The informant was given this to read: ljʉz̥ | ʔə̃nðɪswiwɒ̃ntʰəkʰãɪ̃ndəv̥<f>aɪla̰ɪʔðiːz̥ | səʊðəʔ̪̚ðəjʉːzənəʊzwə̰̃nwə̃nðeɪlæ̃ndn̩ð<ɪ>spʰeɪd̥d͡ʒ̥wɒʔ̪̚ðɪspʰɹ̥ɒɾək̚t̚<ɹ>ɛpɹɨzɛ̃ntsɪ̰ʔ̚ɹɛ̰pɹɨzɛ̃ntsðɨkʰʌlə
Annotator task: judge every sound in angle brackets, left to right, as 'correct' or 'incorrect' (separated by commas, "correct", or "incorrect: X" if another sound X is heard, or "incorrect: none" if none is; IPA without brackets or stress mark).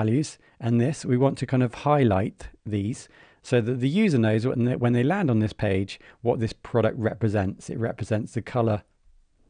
incorrect: h, correct, correct